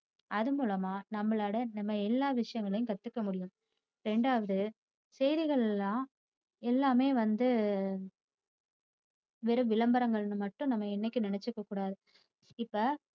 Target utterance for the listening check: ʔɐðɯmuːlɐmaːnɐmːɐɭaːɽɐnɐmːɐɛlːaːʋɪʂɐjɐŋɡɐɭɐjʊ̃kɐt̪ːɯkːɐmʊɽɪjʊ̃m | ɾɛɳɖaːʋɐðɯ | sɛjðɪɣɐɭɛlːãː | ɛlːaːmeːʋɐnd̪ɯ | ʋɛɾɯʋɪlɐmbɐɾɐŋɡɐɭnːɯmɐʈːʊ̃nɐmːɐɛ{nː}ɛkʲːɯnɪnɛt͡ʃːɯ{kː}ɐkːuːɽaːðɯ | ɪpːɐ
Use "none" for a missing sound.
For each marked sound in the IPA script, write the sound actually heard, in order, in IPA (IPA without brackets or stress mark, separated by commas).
nː, kː